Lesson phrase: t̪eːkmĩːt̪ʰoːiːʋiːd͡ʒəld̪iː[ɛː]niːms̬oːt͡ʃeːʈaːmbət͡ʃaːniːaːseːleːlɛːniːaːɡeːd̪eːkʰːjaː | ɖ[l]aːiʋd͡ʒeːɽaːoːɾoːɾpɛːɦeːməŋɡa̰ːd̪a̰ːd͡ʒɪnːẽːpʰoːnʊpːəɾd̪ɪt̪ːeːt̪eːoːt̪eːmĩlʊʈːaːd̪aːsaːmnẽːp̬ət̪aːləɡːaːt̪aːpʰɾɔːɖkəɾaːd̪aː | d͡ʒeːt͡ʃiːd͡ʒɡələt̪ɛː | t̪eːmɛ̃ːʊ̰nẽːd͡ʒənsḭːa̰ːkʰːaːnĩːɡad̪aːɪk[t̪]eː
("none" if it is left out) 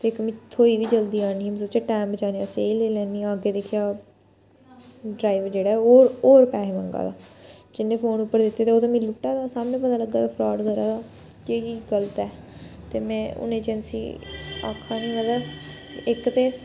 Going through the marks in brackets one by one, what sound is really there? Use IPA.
aː, ɾ, t̪

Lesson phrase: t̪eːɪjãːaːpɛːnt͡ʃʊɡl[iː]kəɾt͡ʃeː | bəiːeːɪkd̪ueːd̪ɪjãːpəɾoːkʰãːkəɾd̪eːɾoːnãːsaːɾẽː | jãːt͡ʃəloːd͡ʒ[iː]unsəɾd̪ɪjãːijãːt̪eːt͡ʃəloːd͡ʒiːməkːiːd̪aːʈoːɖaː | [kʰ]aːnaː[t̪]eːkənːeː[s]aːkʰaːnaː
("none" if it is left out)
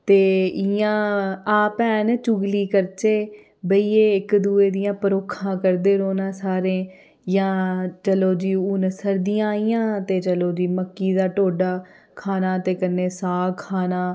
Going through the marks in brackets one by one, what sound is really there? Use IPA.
iː, iː, kʰ, t̪, s

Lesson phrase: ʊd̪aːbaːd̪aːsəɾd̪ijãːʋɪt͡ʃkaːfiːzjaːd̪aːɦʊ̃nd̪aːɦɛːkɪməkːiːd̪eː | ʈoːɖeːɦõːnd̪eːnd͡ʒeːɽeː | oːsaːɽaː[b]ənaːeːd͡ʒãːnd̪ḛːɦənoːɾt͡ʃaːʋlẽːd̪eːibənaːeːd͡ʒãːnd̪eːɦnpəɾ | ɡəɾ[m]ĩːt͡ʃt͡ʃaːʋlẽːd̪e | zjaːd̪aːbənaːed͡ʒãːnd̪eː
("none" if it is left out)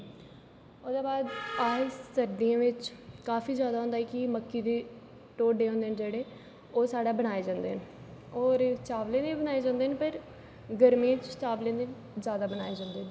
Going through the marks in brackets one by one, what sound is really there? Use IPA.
b, m

